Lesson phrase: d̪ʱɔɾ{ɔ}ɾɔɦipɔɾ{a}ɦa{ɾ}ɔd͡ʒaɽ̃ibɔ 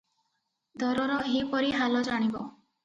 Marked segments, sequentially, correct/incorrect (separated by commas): correct, incorrect, incorrect